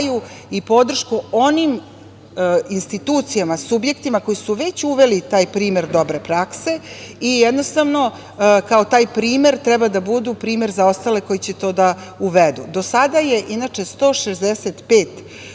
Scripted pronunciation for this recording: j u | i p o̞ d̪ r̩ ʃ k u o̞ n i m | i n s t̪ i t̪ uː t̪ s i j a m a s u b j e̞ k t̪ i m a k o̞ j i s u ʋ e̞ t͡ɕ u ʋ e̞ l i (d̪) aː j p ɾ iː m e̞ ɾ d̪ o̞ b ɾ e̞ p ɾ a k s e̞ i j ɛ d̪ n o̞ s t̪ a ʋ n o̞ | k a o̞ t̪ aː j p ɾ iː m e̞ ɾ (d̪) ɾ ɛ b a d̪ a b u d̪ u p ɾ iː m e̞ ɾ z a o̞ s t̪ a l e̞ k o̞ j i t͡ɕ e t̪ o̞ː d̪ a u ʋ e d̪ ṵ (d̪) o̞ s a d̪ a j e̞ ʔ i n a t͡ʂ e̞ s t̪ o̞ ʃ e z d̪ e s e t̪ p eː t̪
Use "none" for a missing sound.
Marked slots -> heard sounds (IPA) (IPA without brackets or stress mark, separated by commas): t̪, t̪, d̪